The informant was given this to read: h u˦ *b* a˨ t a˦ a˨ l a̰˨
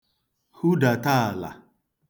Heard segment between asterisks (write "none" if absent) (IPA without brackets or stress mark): d